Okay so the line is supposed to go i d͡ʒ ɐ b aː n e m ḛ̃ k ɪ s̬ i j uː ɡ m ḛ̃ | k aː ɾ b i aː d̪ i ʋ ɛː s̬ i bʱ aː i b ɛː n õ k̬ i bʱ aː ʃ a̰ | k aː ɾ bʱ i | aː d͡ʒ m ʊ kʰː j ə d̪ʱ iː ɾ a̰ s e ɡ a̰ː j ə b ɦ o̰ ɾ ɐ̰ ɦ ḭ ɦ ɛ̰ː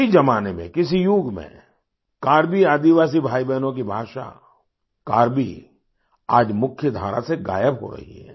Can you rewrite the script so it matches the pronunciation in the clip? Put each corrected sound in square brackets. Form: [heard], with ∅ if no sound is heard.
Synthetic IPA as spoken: i d͡ʒ ɐ [m] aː n e m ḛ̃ k ɪ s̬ i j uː ɡ m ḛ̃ | k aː ɾ b i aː d̪ i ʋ [aː] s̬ i bʱ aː i b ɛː n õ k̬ i bʱ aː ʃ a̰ | k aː ɾ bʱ i | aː d͡ʒ m ʊ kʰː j ə d̪ʱ [aː] ɾ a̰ s e ɡ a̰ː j ə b ɦ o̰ ɾ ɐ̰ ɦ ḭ ɦ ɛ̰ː